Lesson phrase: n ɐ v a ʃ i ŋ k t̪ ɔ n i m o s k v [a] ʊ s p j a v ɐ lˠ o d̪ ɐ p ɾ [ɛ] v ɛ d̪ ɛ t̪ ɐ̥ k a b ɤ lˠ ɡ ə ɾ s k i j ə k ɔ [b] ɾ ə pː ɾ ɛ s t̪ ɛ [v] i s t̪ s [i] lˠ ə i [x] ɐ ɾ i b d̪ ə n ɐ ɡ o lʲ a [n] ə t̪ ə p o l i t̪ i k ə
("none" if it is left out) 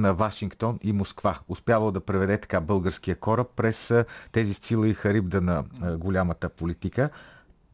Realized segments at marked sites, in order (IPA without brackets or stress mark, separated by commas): a, ɛ, none, z, i, x, m